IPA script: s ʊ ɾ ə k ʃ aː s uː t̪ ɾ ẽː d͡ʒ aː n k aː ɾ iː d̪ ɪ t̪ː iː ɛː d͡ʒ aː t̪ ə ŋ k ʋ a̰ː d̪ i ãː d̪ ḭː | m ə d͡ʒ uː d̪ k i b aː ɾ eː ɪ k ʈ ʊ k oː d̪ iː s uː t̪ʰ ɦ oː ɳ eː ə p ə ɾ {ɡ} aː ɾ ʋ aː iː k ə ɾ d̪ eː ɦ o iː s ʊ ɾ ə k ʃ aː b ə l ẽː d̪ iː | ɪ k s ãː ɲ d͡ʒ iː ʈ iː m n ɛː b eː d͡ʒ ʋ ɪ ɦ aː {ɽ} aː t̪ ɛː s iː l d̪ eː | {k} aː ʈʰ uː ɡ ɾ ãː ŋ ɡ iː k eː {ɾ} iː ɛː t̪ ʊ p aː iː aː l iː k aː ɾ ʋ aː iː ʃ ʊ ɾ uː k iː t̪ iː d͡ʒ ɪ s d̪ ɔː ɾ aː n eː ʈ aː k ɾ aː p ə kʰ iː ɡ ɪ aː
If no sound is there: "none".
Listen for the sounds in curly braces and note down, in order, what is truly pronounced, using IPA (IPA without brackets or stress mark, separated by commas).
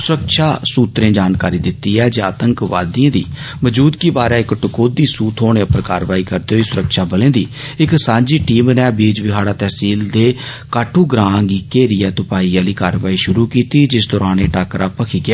k, ɽ, k, ɾ